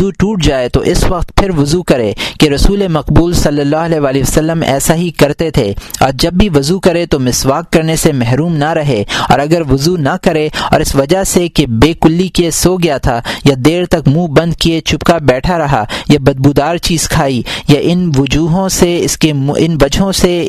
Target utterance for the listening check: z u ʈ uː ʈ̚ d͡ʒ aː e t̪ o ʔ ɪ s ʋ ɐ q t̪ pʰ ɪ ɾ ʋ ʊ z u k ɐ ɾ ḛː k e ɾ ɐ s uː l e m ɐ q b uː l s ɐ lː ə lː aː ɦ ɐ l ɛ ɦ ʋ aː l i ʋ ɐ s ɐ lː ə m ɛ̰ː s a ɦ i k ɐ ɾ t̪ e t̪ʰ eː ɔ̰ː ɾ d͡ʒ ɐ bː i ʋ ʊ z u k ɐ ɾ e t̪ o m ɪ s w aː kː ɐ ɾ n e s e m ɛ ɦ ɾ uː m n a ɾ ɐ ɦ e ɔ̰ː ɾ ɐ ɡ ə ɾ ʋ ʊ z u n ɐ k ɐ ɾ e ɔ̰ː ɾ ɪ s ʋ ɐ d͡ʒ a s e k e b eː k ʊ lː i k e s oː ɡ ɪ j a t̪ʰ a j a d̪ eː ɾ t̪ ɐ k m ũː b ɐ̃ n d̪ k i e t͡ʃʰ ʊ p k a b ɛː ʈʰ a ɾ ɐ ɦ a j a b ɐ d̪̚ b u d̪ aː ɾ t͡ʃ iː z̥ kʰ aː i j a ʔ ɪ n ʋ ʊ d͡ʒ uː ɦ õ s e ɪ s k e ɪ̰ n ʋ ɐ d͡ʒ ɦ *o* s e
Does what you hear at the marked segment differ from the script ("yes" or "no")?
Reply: yes